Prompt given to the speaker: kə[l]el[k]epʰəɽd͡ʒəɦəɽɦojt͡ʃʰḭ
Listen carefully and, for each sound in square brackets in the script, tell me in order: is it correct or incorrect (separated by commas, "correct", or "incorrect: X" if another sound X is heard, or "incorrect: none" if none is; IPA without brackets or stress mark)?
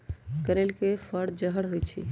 incorrect: ɾ, correct